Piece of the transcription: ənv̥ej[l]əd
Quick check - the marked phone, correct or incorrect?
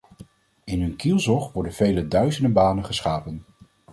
correct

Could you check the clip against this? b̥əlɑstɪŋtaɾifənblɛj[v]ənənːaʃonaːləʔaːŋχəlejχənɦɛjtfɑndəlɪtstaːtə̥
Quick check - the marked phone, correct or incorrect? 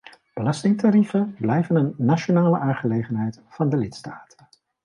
correct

